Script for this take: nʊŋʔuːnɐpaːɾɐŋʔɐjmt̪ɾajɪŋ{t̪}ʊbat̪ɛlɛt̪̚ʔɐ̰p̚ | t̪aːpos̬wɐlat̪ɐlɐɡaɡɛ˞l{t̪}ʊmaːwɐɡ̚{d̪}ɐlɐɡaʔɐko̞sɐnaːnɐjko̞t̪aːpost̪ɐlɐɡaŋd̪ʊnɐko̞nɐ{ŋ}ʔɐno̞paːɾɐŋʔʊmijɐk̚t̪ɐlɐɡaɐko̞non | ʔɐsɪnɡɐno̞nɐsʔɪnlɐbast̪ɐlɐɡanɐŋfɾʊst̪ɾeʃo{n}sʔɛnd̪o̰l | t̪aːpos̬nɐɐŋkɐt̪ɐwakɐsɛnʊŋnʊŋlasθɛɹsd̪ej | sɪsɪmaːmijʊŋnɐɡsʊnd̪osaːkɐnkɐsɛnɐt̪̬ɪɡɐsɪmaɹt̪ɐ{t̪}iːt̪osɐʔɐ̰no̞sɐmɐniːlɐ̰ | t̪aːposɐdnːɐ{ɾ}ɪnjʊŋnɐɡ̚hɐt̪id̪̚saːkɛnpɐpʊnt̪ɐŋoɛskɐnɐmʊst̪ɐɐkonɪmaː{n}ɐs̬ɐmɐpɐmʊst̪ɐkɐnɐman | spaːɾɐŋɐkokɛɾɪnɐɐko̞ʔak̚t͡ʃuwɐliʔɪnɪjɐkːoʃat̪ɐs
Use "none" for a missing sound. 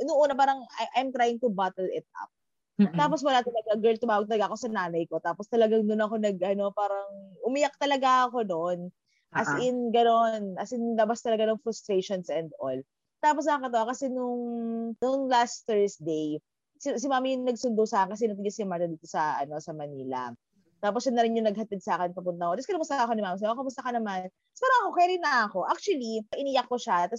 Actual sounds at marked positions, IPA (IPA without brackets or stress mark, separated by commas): t̪, t̪, t̪, ɡ, n, d̪, ɾ, m